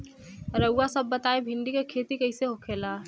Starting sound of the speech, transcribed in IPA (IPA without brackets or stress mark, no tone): ɾ